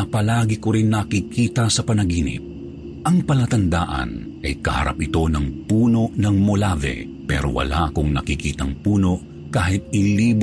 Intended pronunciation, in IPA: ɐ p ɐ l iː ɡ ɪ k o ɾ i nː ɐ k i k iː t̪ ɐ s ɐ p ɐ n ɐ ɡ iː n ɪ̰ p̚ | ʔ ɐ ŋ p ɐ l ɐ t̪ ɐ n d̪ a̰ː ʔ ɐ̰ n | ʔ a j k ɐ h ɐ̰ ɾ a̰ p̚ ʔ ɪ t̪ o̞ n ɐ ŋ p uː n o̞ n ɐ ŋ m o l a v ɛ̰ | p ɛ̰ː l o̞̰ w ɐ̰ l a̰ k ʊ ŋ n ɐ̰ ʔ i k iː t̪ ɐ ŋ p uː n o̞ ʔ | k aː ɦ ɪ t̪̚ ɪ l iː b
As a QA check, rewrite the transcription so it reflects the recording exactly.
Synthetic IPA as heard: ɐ p ɐ l aː ɡ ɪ k o ɾ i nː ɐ k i k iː t̪ ɐ s ɐ p ɐ n ɐ ɡ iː n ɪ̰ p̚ | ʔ ɐ ŋ p ɐ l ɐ t̪ ɐ n d̪ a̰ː ʔ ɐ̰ n | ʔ ɐ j k ɐ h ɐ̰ ɾ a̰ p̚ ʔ ɪ t̪ o̞ n ɐ ŋ p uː n o̞ n ɐ ŋ m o l a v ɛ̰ | p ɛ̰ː ɾ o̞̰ w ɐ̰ l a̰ k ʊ ŋ n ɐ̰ k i k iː t̪ ɐ ŋ p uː n o̞ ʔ | k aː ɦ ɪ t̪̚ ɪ l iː b